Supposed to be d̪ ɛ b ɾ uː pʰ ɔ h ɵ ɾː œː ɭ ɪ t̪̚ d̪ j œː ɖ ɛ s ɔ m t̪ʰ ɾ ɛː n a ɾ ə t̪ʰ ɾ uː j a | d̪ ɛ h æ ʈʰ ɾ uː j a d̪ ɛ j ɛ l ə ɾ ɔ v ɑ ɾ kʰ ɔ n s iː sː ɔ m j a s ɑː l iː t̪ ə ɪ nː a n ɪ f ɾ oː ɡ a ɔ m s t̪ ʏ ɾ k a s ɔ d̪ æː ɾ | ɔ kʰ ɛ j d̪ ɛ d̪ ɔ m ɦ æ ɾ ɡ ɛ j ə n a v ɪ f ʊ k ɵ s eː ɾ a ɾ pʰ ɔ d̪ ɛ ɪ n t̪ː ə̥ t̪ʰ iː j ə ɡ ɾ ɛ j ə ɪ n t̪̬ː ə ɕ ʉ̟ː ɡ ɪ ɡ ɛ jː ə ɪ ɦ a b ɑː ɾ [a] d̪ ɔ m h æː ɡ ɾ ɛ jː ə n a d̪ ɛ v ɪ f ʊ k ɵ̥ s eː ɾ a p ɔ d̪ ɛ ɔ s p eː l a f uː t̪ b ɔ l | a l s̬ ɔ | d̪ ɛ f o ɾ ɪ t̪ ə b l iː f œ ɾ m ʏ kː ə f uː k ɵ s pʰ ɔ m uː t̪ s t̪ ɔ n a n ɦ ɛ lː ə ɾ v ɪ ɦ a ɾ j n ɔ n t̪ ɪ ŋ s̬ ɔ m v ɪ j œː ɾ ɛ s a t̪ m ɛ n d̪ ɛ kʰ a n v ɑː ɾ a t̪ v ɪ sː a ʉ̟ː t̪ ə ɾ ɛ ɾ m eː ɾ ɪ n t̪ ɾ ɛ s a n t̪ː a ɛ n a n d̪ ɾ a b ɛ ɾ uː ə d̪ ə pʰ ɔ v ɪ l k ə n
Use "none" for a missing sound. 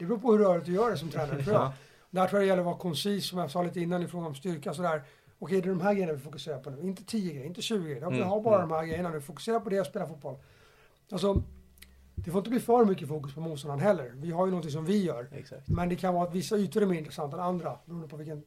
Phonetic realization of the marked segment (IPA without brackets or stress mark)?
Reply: a